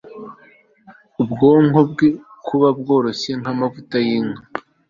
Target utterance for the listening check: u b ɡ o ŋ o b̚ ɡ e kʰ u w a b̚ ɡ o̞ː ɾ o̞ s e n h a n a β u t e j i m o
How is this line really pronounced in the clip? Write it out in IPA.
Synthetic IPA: u b ɡ o ŋ o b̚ ɡ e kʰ u β a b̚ ɡ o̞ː ɾ o̞ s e ŋ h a m a v u t a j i ŋ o